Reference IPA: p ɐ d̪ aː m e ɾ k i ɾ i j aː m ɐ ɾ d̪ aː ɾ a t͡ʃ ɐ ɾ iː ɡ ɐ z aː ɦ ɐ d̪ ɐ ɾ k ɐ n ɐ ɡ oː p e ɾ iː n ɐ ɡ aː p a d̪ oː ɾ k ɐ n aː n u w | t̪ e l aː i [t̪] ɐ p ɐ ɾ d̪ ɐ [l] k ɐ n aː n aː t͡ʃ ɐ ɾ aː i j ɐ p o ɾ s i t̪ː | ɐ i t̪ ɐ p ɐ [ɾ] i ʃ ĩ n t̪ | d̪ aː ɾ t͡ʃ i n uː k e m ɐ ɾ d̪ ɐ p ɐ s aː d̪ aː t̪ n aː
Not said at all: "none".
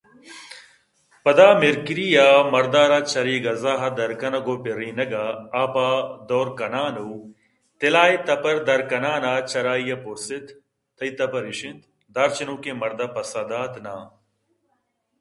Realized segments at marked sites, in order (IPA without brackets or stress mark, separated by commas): t̪, ɾ, ɾ